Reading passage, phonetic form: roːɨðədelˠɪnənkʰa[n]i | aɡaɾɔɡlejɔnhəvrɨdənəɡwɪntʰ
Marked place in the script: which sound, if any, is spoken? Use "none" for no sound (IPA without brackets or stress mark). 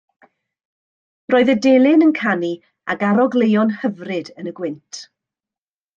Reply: n